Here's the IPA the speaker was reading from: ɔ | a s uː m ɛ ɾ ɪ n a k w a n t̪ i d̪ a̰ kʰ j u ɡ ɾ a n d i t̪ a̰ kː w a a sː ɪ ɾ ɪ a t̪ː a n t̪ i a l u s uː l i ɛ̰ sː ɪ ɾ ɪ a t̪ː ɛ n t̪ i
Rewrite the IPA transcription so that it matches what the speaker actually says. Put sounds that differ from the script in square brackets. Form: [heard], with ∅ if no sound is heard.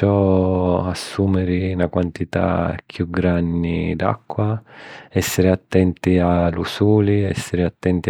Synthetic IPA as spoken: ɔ | a [sː] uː m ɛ ɾ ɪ n a k w a n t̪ i [t̪] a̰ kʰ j u ɡ ɾ a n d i [d̪] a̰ kː w a [ɛ] sː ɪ ɾ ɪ a t̪ː [ɛ] n t̪ i a l u s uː l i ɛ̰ sː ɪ ɾ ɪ a t̪ː ɛ n t̪ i

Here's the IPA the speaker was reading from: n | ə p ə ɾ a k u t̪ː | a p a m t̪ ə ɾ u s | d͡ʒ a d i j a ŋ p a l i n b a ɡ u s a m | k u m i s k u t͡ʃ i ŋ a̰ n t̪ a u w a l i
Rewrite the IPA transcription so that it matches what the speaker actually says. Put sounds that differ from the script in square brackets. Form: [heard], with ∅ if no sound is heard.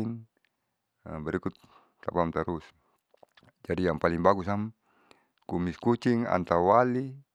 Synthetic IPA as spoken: n | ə [b] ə ɾ [i] k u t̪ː | a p a m t̪ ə ɾ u s | d͡ʒ a d i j a ŋ p a l i [ŋ] b a ɡ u s a m | k u m i s k u t͡ʃ i ŋ a̰ n t̪ a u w a l i

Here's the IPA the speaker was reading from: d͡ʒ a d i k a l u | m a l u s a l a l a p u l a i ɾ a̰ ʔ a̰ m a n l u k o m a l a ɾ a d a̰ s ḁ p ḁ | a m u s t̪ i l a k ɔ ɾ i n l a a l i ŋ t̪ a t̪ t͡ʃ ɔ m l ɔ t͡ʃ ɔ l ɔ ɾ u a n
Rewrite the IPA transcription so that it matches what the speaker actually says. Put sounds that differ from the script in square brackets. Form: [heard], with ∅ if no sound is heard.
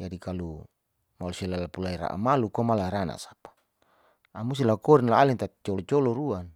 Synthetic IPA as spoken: d͡ʒ a d i k a l u | m a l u s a l a l a p u l a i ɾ a̰ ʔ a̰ m a [∅] l u k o m a l a ɾ a [n] a̰ s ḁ p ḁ | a m u s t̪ i l a k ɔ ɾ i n l a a l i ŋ t̪ a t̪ t͡ʃ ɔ [∅] l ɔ t͡ʃ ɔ l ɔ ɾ u a n

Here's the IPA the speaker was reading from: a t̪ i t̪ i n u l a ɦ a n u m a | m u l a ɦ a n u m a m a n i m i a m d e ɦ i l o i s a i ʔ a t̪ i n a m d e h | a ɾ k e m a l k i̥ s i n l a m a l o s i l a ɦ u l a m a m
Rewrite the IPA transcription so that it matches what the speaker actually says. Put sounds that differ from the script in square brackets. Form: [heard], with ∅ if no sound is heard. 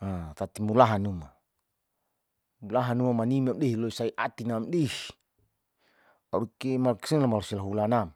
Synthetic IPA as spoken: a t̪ [a] t̪ i [m] u l a ɦ a n u m a | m u l a ɦ a n u m a m a n i m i a m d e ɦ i l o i s a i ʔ a t̪ i n a m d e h | a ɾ k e m a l k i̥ s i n l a m a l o s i l a ɦ u l a [n] a m

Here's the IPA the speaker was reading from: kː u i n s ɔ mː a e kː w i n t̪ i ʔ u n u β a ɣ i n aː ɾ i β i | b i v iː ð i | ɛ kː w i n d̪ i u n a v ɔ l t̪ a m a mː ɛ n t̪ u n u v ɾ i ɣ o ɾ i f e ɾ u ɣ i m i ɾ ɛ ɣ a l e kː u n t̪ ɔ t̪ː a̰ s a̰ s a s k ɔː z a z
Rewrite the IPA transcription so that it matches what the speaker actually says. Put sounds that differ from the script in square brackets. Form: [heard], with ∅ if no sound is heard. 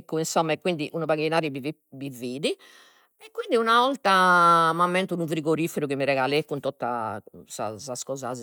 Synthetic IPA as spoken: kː u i n s ɔ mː a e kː w i n [d̪] i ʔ u n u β a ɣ i n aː ɾ i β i | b i v iː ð i | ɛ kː w i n d̪ i u n a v ɔ l t̪ a m a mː ɛ n t̪ u n u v ɾ i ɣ o ɾ i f e ɾ u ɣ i m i ɾ ɛ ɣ a l e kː u n t̪ ɔ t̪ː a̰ s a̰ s a s k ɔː z a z

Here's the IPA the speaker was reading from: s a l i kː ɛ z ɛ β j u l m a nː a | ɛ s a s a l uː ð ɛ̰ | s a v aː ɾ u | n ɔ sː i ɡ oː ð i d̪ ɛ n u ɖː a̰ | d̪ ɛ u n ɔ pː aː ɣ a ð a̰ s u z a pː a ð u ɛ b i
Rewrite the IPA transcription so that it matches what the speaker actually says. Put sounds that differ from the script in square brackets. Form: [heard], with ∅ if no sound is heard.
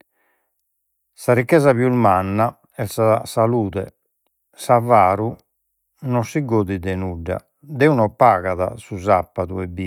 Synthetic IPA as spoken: s a [ɾ] i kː ɛ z [a] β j u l m a nː a | ɛ s a s a l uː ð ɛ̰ | s a v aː ɾ u | n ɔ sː i ɡ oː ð i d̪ ɛ n u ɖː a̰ | d̪ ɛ u n ɔ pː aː ɣ a ð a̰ s u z a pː a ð u ɛ b i

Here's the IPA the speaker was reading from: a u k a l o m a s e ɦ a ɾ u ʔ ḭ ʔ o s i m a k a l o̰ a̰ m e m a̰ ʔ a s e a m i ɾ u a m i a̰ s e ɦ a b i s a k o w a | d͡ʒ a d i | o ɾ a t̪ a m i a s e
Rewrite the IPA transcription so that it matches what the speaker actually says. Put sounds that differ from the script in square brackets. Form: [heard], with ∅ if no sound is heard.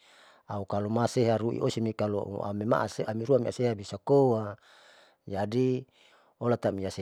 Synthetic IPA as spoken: a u k a l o m a s e ɦ a ɾ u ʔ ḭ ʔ o s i m [i] k a l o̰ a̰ m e m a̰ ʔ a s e a m i ɾ u a m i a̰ s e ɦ a b i s a k o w a | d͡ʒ a d i | o [l] a t̪ a m i a s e

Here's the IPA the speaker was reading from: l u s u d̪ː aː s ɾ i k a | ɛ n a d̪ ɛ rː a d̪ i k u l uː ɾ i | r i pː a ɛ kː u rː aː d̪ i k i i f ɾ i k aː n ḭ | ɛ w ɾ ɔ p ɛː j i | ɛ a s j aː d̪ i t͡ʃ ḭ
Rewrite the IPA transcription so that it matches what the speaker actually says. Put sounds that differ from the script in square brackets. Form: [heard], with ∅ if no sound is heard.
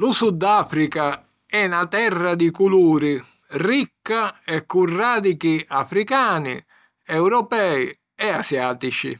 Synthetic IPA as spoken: l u s u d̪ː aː [f] ɾ i k a | ɛ n a [t̪] ɛ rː a d̪ i k u l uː ɾ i | r i [kː] a ɛ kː u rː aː d̪ i k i [a] f ɾ i k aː n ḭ | ɛ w ɾ ɔ p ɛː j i | ɛ a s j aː [t̪] i t͡ʃ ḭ

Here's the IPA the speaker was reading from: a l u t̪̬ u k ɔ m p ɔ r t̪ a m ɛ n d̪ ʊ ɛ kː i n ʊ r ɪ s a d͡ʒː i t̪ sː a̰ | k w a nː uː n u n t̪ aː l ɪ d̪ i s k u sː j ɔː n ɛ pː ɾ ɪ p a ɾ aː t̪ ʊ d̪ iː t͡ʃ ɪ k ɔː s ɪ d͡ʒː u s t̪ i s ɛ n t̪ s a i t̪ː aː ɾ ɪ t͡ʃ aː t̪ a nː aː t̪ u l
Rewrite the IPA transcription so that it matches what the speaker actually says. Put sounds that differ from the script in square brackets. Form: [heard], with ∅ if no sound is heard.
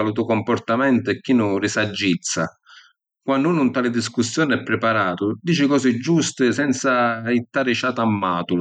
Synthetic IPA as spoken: a l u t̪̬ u k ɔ m p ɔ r t̪ a m ɛ n [t̪] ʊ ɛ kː i n ʊ r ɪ s a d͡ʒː i t̪ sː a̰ | k w a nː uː n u n t̪ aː l ɪ d̪ i s k u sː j ɔː n ɛ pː ɾ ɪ p a ɾ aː t̪ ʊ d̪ iː t͡ʃ ɪ k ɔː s ɪ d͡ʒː u s t̪ [ɪ] s ɛ n t̪ s a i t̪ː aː ɾ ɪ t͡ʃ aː t̪ a [mː] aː t̪ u l

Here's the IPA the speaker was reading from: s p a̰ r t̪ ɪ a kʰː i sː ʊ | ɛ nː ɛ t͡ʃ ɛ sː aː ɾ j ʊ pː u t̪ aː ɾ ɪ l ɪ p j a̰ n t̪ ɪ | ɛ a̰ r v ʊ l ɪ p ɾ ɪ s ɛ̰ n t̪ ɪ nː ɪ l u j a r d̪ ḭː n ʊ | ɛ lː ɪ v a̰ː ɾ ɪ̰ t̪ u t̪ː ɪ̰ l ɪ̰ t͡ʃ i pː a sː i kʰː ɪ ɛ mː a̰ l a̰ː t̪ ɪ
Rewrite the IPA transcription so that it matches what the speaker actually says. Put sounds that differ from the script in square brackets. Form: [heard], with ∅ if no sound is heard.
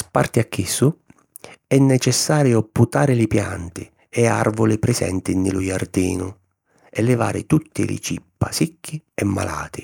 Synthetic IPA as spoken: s p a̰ r t̪ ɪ a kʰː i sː ʊ | ɛ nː ɛ t͡ʃ ɛ sː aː ɾ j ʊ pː u t̪ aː ɾ ɪ l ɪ p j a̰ n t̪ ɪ | ɛ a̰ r v ʊ l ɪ p ɾ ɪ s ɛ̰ n t̪ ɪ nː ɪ l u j a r d̪ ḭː n ʊ | ɛ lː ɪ v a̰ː ɾ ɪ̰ t̪ u t̪ː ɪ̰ l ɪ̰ t͡ʃ i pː a [s] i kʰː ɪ ɛ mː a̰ l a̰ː t̪ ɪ

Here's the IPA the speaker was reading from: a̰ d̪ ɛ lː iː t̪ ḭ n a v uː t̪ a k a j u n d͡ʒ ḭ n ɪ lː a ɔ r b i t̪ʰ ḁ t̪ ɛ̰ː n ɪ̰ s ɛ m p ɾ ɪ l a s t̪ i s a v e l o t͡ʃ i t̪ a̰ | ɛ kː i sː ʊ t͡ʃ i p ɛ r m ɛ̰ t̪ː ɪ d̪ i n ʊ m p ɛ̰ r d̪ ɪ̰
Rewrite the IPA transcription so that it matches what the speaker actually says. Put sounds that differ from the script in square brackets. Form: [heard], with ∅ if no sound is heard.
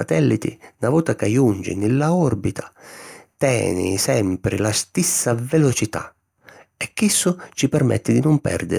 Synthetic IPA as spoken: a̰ [t̪] ɛ lː [i] t̪ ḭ n a v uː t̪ a k a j u n d͡ʒ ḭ n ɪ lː a ɔ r b i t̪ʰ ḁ t̪ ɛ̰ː n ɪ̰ s ɛ m p ɾ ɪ l a s t̪ i [sː] a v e l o t͡ʃ i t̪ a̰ | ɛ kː i sː ʊ t͡ʃ i p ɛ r m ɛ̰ t̪ː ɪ d̪ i n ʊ m p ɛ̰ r d̪ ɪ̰

